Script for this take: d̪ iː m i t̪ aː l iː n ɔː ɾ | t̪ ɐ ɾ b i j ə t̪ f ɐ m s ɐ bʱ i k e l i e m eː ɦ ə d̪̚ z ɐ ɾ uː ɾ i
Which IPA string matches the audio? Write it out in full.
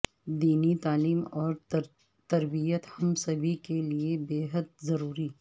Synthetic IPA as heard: d̪ iː n i t̪ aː l iː m ɔː ɾ | t̪ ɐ ɾ b i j ə t̪ h ɐ m s ɐ bʱ i k e l i e b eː ɦ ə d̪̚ z ɐ ɾ uː ɾ i